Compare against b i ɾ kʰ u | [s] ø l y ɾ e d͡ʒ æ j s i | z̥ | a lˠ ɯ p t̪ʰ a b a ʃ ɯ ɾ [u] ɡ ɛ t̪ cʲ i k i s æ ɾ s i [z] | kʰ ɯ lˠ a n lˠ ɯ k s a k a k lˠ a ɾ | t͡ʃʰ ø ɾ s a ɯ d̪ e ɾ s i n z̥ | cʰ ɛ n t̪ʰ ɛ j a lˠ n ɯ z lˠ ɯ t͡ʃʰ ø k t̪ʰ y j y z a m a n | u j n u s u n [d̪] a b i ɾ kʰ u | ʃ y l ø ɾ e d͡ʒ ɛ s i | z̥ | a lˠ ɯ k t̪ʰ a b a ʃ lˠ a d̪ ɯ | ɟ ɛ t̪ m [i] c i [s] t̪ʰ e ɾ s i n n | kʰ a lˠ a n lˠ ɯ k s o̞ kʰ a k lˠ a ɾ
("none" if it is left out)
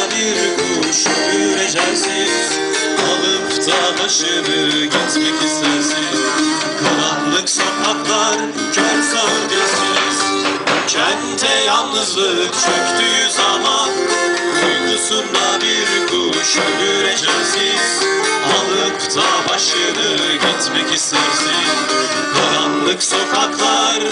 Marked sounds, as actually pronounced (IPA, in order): ʃ, ɯ, z, d̪, ɛ, s

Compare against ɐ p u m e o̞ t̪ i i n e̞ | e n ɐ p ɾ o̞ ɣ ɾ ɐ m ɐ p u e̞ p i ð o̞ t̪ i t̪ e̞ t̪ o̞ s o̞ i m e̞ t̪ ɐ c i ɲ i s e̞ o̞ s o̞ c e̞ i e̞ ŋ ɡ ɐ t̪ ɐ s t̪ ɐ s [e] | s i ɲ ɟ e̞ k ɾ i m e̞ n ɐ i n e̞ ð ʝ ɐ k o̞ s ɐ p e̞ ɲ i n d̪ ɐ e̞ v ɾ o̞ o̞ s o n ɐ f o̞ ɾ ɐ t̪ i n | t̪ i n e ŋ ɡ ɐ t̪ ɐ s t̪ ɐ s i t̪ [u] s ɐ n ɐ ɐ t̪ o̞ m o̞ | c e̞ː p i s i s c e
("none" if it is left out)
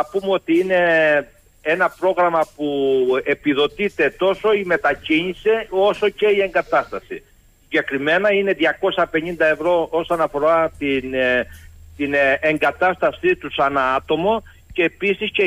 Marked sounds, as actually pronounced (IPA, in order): i, u

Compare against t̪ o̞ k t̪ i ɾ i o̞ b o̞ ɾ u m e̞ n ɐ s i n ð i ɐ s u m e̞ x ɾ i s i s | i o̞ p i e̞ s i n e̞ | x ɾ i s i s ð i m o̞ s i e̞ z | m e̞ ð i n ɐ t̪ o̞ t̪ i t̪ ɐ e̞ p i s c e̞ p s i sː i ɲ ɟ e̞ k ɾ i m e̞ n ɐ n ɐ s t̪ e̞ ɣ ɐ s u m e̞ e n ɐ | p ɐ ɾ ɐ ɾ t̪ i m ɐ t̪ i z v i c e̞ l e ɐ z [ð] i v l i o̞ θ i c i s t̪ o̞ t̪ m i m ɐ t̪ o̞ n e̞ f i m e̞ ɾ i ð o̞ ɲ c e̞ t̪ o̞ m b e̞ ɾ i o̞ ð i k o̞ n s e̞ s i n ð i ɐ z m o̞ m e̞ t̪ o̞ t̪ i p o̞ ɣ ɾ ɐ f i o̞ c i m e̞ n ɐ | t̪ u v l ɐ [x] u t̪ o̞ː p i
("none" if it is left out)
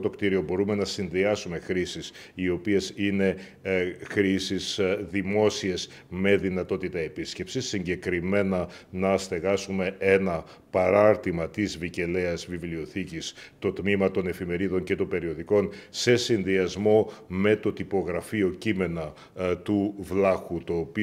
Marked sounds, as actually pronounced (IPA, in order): v, x

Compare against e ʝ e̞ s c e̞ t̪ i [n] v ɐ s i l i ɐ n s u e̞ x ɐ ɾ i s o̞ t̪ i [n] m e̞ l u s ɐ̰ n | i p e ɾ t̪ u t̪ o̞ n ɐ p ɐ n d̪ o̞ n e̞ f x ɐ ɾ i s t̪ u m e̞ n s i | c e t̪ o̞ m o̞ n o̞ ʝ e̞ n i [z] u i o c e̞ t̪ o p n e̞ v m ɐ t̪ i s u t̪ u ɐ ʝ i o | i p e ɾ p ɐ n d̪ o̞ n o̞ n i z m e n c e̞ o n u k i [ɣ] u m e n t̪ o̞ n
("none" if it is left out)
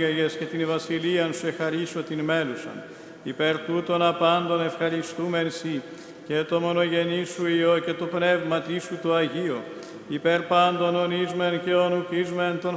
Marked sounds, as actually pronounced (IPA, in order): n, n, s, z

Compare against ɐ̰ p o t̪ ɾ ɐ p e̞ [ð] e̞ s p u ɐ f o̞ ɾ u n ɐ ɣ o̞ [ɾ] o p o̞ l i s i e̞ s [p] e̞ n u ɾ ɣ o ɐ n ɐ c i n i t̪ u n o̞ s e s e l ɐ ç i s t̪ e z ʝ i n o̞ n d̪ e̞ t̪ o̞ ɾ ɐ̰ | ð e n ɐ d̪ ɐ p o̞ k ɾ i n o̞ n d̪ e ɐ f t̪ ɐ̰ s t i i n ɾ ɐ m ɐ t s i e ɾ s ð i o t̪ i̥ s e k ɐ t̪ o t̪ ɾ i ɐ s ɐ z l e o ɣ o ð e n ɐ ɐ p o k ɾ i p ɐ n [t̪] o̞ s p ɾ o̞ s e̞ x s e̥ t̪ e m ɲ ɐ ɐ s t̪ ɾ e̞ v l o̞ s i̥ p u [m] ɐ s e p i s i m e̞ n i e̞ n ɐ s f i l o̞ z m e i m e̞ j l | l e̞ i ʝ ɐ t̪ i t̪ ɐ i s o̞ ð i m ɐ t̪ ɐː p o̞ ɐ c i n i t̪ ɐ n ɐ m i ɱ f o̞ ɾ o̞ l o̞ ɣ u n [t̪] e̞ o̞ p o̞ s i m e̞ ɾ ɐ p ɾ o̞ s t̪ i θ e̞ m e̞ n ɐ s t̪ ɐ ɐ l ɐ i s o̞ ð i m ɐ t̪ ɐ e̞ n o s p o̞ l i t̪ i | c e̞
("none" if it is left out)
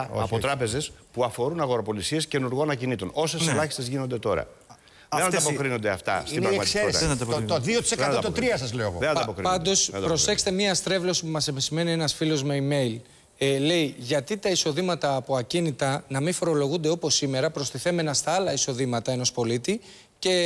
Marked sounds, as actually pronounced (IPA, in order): z, ɾ, c, d̪, m, d̪

